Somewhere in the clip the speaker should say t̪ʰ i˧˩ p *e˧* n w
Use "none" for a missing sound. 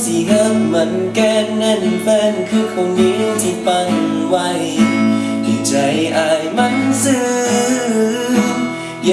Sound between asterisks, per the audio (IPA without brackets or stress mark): a˧